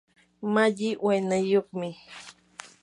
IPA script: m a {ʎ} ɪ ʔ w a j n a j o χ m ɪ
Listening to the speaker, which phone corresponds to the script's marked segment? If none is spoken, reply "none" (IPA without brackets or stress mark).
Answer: ʎ